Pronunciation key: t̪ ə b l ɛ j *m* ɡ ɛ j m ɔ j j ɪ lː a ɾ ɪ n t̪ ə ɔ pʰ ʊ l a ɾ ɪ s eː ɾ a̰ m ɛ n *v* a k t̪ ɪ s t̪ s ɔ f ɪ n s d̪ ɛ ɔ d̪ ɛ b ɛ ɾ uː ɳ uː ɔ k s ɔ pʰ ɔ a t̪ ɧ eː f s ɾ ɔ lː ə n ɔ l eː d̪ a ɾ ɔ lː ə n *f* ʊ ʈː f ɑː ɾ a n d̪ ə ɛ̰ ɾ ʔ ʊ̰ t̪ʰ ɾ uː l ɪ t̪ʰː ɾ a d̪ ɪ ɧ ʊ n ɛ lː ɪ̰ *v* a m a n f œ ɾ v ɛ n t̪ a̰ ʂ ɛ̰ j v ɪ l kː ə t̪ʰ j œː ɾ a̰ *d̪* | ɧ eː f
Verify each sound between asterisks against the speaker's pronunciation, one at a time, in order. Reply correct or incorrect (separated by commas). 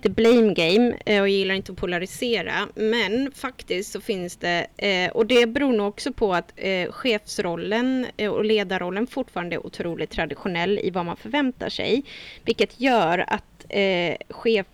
correct, incorrect, correct, correct, incorrect